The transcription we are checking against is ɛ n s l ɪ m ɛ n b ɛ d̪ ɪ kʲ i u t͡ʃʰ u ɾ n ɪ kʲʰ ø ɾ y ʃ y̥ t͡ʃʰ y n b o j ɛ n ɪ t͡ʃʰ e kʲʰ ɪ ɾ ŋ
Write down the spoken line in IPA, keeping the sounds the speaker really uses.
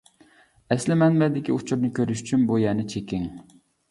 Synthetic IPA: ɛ s l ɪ m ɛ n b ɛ d̪ ɪ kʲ i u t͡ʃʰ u ɾ n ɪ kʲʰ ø ɾ y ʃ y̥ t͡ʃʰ y n b u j ɛ n ɪ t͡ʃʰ e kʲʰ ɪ ŋ